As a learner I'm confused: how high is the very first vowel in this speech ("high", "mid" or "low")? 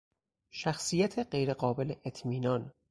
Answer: low